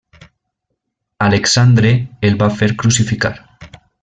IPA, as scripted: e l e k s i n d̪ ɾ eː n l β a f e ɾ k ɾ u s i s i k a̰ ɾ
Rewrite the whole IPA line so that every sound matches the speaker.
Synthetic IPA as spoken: a l e k s a n d̪ ɾ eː l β a f e ɾ k ɾ u s i f i k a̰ ɾ